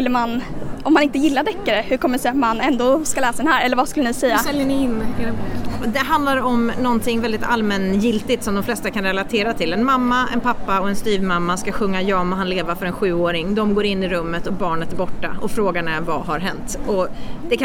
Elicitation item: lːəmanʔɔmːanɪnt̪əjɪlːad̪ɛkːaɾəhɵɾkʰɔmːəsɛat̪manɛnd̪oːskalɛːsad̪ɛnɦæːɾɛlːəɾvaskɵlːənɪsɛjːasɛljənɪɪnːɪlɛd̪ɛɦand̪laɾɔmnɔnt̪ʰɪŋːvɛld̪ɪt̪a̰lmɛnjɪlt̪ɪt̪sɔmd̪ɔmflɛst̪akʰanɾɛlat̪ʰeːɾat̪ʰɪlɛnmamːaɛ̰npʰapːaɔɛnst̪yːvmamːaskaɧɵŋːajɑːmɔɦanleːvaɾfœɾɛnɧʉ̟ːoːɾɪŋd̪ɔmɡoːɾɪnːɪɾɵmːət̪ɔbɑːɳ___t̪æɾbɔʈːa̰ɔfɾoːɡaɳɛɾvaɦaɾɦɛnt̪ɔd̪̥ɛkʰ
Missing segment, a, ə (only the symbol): ə